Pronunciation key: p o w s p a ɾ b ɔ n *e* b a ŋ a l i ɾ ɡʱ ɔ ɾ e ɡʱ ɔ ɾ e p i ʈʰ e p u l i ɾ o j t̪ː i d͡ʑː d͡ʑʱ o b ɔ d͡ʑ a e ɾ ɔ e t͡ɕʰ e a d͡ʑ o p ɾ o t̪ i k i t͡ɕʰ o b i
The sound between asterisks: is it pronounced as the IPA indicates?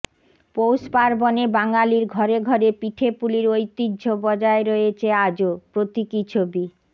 yes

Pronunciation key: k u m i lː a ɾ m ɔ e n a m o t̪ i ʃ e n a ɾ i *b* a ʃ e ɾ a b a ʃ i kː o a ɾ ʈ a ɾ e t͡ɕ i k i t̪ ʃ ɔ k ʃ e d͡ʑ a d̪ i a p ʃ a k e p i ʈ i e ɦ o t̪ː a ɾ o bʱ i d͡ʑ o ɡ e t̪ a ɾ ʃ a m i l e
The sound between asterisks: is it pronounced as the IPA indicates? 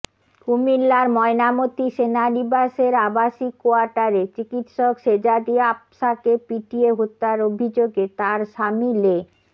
yes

